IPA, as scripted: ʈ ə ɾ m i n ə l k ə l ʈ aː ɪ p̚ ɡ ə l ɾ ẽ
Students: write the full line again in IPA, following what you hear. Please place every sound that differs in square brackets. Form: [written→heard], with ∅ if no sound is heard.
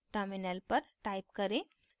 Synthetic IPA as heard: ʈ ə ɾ m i n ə l [k→p] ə [l→ɾ] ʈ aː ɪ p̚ [ɡ→k] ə [l→∅] ɾ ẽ